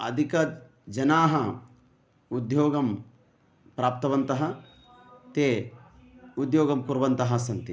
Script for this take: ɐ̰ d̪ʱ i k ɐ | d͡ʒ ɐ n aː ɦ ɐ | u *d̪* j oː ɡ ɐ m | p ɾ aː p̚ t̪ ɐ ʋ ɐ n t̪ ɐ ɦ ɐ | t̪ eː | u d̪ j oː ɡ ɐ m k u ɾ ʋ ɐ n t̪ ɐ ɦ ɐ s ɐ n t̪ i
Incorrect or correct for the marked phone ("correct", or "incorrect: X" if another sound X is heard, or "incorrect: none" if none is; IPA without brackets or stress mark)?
correct